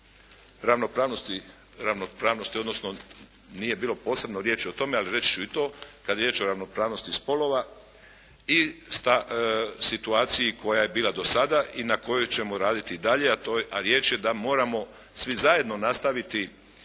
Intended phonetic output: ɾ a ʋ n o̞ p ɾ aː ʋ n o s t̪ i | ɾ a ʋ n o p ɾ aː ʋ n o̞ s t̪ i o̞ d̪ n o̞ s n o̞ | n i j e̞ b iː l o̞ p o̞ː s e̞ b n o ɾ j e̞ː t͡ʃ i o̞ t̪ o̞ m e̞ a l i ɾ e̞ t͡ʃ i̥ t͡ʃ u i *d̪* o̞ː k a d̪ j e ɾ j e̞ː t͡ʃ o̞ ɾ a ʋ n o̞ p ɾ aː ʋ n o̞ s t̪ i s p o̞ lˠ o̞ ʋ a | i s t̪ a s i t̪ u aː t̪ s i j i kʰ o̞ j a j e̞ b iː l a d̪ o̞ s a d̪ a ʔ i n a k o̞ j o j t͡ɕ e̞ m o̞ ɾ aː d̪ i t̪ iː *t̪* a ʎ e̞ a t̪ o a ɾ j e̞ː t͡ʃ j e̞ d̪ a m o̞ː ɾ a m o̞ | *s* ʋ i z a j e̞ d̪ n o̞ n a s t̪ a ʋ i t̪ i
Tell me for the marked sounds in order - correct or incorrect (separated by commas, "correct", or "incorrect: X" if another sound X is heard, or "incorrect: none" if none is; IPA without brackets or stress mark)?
incorrect: t̪, incorrect: d̪, correct